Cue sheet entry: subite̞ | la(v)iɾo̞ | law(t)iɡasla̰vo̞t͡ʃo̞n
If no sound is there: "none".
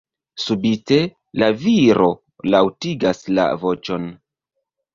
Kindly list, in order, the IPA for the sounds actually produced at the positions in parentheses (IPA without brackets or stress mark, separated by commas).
v, t